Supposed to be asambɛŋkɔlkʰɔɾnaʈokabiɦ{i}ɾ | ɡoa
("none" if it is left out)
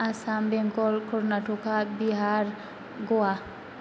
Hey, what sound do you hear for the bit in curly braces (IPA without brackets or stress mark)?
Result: a